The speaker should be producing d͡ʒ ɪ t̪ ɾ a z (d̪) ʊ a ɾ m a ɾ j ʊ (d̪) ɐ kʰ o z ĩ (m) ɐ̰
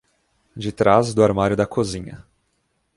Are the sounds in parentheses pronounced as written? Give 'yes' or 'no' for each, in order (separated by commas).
yes, yes, no